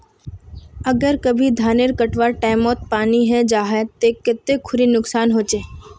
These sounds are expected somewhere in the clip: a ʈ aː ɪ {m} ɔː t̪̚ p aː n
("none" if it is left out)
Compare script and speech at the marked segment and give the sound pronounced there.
m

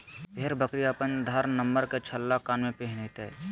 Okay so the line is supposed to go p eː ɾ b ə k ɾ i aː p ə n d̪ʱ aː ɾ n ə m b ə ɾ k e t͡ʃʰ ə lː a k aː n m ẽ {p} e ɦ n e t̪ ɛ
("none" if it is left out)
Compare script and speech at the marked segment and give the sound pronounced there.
p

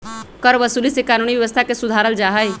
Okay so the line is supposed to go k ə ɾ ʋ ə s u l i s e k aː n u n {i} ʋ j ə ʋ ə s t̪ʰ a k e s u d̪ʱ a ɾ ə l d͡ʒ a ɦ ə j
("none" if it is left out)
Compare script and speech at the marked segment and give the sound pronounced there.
i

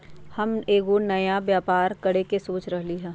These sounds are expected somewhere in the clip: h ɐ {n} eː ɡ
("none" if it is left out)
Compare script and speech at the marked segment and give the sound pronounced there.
m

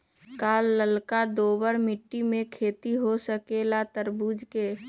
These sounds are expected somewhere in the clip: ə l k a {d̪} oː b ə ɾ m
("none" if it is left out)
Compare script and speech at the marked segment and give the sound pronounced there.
d̪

